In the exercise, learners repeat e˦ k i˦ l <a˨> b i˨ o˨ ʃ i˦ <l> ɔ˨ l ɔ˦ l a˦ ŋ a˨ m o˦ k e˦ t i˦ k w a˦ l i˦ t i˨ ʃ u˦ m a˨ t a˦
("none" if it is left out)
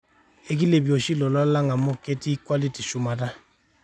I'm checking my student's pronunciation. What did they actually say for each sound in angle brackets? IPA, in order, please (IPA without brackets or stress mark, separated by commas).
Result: e˨, l